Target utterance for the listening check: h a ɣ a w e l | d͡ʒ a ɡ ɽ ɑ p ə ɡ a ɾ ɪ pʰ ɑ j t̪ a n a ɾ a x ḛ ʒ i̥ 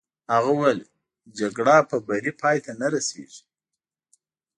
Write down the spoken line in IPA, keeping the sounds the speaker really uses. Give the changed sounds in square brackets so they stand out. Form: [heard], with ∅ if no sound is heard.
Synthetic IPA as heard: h a ɣ a w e l | d͡ʒ a ɡ ɽ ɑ p ə [b] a ɾ [i] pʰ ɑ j t̪ a n a ɾ a [s] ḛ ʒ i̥